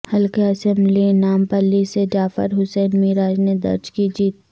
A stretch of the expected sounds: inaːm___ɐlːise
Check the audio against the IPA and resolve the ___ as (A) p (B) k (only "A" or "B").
A